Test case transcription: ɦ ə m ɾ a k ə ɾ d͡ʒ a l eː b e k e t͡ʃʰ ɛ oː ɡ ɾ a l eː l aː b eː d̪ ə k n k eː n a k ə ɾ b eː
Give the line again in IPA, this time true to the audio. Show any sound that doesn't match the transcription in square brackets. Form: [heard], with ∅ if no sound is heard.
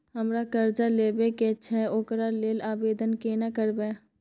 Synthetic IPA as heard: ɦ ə m ɾ a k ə ɾ d͡ʒ a l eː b e k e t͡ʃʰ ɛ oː [k] ɾ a l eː l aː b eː d̪ ə [∅] n k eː n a k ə ɾ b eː